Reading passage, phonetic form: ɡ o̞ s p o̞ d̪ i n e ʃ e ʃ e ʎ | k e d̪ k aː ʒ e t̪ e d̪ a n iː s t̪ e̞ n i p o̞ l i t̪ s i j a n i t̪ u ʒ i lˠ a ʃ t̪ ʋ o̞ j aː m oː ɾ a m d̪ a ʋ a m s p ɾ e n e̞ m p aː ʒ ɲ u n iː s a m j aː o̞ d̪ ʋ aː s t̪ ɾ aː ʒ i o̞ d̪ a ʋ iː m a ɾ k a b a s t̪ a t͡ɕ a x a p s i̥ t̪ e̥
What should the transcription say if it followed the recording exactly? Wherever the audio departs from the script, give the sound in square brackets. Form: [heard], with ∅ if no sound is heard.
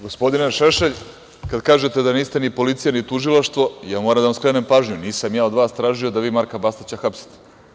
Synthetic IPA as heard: ɡ o̞ s p o̞ d̪ i n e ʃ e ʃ e ʎ | k [a] d̪ k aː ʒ e t̪ e d̪ a n iː s t̪ e̞ n i p o̞ l i t̪ s i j a n i t̪ u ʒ i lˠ a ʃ t̪ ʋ o̞ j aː m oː ɾ a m d̪ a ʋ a m s [k] ɾ e n e̞ m p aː ʒ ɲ u n iː s a m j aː o̞ d̪ ʋ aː s t̪ ɾ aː ʒ i o̞ d̪ a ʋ iː m a ɾ k a b a s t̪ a t͡ɕ a x a p s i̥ t̪ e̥

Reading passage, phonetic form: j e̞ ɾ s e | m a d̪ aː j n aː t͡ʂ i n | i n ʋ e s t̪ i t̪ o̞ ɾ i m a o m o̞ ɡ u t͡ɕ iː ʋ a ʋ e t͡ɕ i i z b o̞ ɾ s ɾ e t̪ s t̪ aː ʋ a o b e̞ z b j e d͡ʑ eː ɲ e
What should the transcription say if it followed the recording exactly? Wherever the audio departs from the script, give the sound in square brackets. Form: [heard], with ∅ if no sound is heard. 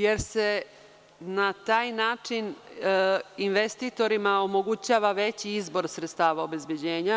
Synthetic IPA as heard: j e̞ ɾ s e | [n] a [t̪] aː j n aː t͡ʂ i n | i n ʋ e s t̪ i t̪ o̞ ɾ i m a o m o̞ ɡ u t͡ɕ [aː] ʋ a ʋ e t͡ɕ i i z b o̞ ɾ s ɾ e t̪ s t̪ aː ʋ a o b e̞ z b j e d͡ʑ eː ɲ [a]

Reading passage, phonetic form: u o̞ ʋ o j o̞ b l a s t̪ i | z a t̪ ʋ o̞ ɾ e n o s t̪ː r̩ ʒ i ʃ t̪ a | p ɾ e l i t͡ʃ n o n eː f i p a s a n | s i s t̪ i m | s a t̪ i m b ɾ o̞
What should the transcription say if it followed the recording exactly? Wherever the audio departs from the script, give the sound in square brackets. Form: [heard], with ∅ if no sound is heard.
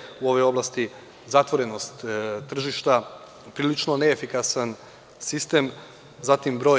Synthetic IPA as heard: u o̞ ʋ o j o̞ b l a s t̪ i | z a t̪ ʋ o̞ ɾ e n o s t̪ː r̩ ʒ i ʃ t̪ a | p ɾ [i] l i t͡ʃ n o n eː f i [k] a s a n | s i s t̪ [e] m | [z] a t̪ i m b ɾ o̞

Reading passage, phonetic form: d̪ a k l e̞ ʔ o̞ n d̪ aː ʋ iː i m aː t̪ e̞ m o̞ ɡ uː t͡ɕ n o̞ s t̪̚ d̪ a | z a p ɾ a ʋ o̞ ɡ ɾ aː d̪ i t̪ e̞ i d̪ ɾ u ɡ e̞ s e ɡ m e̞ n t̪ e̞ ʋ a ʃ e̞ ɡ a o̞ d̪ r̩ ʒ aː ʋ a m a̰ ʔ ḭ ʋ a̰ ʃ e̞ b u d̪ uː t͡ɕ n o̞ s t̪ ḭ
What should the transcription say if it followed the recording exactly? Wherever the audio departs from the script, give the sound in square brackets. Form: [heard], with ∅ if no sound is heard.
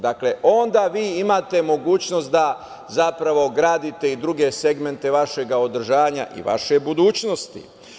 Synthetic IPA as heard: d̪ a k l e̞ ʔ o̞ n d̪ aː ʋ iː i m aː t̪ e̞ m o̞ ɡ uː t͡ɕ n o̞ s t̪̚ d̪ a | z a p ɾ a ʋ o̞ ɡ ɾ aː d̪ i t̪ e̞ i d̪ ɾ u ɡ e̞ s e ɡ m e̞ n t̪ e̞ ʋ a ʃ e̞ ɡ a o̞ d̪ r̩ ʒ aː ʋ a [ɲ] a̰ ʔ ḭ ʋ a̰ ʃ e̞ b u d̪ uː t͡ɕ n o̞ s t̪ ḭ

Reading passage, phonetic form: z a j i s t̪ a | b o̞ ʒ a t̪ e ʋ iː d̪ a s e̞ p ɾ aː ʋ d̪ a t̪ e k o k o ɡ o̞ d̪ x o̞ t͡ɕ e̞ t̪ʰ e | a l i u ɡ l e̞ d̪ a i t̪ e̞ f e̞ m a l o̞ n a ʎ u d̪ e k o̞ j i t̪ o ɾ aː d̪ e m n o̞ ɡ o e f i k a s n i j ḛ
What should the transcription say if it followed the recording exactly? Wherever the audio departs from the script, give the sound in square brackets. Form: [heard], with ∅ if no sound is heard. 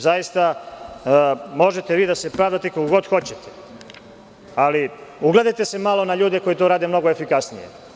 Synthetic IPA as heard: z a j i s t̪ a | [m] o̞ ʒ [e] t̪ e ʋ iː d̪ a s e̞ p ɾ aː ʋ d̪ a t̪ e k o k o ɡ o̞ d̪ x o̞ t͡ɕ e̞ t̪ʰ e | a l i u ɡ l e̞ d̪ a [j] t̪ e̞ [s] e̞ m a l o̞ n a ʎ [uː] d̪ e k o̞ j i t̪ o ɾ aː d̪ e m n o̞ ɡ o e f i k a s n i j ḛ

